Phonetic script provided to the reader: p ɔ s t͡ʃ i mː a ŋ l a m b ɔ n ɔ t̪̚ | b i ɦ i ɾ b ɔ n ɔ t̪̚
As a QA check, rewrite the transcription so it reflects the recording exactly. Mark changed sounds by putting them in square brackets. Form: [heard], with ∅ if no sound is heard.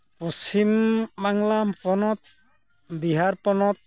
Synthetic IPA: p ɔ s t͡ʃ i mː a ŋ l a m [p] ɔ n ɔ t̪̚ | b i ɦ [a] ɾ [p] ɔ n ɔ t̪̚